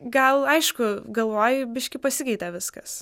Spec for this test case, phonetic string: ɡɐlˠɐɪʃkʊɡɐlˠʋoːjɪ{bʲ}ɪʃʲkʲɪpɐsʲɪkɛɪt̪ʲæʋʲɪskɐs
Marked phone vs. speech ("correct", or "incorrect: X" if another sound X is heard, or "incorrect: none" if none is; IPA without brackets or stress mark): correct